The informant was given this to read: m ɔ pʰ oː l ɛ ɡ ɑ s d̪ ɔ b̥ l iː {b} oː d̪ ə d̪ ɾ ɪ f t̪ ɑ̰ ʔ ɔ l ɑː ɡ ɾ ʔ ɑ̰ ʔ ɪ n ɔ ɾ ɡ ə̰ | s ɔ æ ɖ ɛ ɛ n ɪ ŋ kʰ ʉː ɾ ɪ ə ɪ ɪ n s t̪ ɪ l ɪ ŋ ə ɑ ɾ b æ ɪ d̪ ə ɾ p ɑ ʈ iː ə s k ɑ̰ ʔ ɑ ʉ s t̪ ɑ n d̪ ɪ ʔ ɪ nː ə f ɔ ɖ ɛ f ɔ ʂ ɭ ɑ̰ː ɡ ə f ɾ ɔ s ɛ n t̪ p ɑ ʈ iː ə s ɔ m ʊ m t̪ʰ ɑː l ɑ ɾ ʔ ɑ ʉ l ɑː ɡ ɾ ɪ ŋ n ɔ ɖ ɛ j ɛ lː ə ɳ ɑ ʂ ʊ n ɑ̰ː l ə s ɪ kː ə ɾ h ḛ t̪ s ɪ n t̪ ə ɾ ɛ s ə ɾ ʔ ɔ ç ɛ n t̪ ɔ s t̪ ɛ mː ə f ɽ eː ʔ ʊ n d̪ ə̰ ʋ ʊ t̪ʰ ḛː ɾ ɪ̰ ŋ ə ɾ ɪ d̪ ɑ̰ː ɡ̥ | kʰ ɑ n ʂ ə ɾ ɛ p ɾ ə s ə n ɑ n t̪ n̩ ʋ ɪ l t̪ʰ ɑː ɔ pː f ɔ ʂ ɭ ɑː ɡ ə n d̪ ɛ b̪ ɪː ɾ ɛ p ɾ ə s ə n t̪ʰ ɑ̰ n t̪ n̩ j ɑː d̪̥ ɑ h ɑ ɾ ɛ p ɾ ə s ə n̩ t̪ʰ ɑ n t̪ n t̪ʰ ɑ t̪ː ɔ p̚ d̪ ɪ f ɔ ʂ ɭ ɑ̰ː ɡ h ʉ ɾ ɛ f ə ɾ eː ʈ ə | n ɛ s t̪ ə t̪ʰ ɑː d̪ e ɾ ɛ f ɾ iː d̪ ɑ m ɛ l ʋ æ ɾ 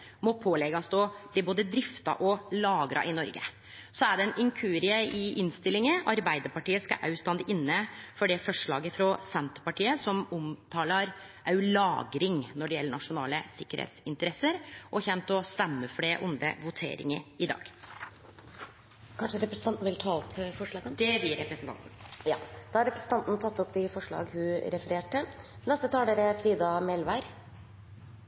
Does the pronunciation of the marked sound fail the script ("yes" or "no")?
no